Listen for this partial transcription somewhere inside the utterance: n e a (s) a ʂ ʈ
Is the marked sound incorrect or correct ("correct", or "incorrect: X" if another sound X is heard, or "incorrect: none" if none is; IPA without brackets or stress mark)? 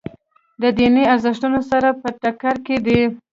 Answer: incorrect: z